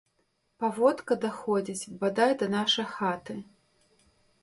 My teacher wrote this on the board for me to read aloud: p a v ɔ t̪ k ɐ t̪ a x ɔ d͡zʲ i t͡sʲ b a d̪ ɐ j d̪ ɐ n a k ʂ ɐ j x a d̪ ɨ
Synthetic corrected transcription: p a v ɔ t̪ k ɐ d̪ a x ɔ d͡zʲ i t͡sʲ b a d̪ a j d̪ ɐ n a ʂ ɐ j x a t̪ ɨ